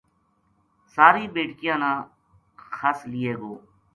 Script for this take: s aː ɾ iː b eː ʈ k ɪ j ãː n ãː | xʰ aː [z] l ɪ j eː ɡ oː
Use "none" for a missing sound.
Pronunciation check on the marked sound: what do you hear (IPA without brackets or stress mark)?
s